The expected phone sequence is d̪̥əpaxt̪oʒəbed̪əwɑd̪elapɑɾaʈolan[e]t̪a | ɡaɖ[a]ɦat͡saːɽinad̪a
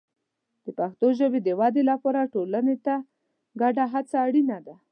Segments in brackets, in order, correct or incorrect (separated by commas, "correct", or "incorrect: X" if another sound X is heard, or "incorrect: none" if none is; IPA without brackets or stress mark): correct, correct